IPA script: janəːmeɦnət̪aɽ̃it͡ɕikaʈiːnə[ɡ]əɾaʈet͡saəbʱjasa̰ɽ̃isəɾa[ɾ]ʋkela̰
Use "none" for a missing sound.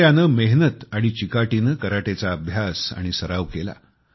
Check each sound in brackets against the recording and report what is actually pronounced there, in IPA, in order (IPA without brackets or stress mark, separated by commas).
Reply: k, none